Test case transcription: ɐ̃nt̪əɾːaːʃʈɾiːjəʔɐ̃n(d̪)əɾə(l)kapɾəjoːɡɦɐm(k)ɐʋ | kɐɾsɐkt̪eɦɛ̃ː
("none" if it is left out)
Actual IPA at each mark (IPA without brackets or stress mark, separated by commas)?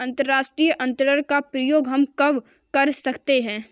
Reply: t̪, ɾ, k